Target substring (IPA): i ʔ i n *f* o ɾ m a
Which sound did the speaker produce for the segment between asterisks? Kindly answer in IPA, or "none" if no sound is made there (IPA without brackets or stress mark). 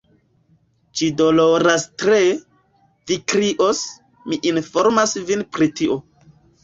f